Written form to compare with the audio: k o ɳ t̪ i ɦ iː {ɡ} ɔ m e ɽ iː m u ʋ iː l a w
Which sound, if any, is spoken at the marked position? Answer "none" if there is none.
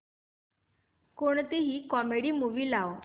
k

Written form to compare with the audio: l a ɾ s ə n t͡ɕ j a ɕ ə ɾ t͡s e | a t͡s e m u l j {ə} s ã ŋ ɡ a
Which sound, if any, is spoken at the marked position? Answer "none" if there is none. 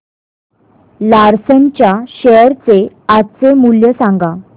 ə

